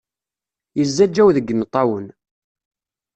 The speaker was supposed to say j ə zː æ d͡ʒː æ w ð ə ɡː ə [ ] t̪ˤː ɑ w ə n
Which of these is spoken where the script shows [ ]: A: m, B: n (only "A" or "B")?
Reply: B